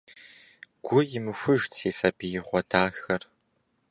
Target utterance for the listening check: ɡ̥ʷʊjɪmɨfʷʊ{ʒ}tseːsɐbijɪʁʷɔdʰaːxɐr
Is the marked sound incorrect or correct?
correct